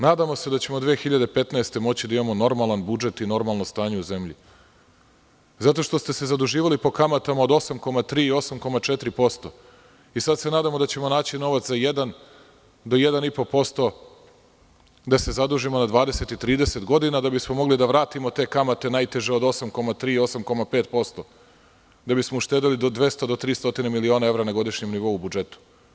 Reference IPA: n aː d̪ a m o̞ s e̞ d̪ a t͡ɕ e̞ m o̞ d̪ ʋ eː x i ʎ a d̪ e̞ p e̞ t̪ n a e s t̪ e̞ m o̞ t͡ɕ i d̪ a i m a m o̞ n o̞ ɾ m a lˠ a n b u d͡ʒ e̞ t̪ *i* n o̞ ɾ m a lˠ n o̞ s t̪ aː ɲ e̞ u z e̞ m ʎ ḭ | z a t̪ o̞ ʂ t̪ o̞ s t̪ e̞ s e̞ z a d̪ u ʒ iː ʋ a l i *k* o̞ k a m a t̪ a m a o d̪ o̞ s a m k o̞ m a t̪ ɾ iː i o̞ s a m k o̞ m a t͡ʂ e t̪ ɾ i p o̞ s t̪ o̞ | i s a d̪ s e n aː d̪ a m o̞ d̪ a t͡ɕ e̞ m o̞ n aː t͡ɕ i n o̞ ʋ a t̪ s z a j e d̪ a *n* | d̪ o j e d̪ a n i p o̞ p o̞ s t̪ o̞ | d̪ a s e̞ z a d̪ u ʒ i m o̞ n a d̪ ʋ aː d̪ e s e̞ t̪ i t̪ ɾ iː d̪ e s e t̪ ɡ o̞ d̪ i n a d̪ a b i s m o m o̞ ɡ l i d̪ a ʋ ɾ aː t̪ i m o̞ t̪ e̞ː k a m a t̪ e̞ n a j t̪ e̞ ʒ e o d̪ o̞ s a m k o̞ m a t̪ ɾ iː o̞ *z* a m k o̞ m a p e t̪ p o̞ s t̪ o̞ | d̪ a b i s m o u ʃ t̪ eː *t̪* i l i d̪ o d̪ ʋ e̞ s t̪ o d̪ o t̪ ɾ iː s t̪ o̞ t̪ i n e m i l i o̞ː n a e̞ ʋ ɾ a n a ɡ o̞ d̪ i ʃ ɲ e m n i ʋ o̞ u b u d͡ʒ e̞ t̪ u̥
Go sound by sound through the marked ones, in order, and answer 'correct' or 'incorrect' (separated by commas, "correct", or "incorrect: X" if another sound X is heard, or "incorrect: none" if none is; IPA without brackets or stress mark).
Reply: correct, incorrect: p, correct, incorrect: s, incorrect: d̪